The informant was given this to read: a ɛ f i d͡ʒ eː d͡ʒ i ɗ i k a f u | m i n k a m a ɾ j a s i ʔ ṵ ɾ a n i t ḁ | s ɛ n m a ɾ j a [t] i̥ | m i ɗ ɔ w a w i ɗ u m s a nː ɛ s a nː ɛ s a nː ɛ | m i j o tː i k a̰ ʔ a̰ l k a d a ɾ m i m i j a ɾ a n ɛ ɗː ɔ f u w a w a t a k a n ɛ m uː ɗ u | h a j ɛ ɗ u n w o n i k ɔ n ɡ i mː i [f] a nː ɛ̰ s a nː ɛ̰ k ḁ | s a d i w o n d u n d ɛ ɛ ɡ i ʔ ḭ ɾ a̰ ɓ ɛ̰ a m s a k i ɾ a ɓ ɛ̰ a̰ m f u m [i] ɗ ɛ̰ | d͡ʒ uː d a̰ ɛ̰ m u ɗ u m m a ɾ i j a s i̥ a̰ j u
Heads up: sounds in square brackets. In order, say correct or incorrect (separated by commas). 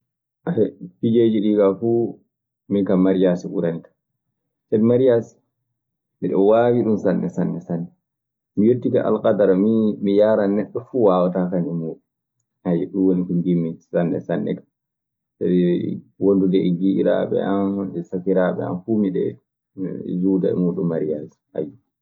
incorrect, incorrect, correct